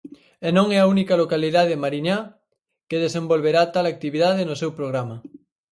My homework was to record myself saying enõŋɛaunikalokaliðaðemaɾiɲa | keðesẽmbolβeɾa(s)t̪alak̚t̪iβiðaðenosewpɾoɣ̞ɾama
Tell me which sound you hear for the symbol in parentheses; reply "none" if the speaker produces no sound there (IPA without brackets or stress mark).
none